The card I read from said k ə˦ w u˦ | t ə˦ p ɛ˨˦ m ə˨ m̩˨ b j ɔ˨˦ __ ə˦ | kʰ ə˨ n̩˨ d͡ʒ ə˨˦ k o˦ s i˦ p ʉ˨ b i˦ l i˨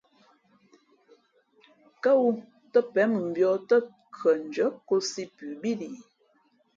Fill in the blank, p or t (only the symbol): t